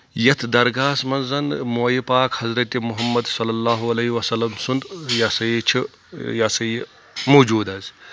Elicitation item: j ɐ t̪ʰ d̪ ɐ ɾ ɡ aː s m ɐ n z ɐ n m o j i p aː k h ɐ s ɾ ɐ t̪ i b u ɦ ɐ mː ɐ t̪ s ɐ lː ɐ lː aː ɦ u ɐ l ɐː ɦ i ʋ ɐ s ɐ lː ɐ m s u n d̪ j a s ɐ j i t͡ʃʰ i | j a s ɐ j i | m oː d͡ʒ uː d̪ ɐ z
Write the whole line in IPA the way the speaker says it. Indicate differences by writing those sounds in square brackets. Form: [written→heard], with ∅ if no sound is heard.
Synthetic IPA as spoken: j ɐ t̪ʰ d̪ ɐ ɾ ɡ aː s m ɐ n z ɐ n m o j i p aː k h ɐ [s→z] ɾ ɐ t̪ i [b→m] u ɦ ɐ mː ɐ [t̪→d̪] s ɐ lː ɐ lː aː ɦ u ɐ l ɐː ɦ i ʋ ɐ s ɐ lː ɐ m s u n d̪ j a s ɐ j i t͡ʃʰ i | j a s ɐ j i | m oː d͡ʒ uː d̪ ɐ z